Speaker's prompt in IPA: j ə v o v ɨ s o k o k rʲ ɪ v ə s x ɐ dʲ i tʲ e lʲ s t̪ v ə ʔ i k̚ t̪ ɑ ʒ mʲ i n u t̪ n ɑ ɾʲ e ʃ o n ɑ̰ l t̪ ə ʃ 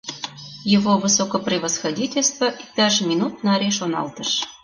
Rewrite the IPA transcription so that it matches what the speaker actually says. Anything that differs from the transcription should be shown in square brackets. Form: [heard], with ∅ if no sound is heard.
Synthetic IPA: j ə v o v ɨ s o k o [p] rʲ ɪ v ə s x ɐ dʲ i tʲ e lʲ s t̪ v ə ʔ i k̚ t̪ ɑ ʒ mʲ i n u t̪ n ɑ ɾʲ e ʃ o n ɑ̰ l t̪ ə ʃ